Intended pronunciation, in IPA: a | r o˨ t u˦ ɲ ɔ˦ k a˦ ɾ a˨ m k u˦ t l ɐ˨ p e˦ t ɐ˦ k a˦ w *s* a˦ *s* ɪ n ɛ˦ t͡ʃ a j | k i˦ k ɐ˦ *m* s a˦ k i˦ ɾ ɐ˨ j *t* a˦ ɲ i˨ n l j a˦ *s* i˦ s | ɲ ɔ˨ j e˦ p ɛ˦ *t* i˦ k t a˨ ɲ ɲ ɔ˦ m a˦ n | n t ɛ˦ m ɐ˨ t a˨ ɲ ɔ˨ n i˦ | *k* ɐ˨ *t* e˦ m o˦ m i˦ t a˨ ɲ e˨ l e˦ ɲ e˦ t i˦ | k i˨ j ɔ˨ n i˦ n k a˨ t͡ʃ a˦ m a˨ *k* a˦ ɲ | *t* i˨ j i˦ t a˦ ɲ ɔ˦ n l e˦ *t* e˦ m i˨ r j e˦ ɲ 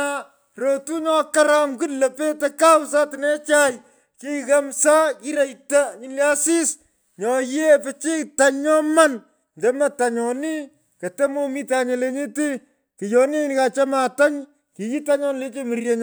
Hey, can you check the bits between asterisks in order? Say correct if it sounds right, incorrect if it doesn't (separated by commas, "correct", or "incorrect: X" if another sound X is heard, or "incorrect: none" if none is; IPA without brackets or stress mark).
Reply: correct, incorrect: t, correct, correct, correct, incorrect: t͡ʃ, correct, correct, incorrect: t, incorrect: k, incorrect: t͡ʃ